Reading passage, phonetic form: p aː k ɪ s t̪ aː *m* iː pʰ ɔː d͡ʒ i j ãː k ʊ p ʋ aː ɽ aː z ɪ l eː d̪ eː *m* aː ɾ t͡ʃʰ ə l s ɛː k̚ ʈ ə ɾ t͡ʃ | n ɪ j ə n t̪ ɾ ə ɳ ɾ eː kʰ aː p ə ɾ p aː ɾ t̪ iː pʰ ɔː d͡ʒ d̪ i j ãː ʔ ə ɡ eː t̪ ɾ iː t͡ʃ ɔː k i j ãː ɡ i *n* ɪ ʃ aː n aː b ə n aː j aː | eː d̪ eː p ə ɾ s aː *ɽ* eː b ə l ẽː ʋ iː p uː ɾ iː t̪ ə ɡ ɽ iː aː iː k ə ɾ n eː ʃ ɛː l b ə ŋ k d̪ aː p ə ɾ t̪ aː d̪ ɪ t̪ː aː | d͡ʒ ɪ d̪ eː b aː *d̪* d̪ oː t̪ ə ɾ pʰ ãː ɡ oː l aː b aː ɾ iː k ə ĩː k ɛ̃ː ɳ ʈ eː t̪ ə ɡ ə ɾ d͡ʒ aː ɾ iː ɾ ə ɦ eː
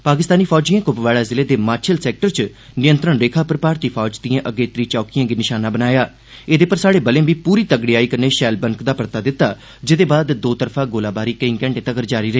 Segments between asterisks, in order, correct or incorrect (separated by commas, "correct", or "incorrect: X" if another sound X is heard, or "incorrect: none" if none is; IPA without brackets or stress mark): incorrect: n, correct, correct, correct, correct